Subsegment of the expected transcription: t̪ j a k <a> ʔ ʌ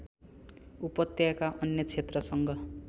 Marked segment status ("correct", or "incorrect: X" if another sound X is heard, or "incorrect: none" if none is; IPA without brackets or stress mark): correct